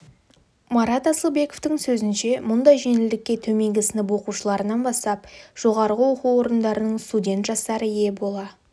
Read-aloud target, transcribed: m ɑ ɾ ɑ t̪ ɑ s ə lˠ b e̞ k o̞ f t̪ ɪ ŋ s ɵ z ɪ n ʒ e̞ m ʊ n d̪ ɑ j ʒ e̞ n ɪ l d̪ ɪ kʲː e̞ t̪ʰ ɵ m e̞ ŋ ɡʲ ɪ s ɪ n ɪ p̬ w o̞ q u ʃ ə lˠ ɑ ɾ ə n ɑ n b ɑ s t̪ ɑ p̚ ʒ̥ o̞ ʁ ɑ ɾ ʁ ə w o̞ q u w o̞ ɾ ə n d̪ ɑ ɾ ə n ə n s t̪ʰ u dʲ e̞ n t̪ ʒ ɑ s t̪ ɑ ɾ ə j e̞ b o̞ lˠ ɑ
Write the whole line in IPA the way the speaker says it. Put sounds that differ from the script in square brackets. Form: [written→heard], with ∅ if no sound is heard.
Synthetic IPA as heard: m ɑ ɾ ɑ t̪ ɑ s ə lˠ b e̞ k o̞ f t̪ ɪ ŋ s ɵ z ɪ n [ʒ→ʃ] e̞ m ʊ n d̪ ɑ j ʒ e̞ n ɪ l d̪ ɪ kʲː e̞ t̪ʰ ɵ m e̞ ŋ ɡʲ ɪ s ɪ n ɪ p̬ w o̞ q u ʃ ə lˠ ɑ ɾ ə n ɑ n b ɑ s t̪ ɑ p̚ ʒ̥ o̞ ʁ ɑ ɾ ʁ ə w o̞ q u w o̞ ɾ ə n d̪ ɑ ɾ ə n ə [n→ɴ] s [t̪ʰ→t̪] u dʲ e̞ n t̪ ʒ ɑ s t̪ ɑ ɾ ə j e̞ b o̞ lˠ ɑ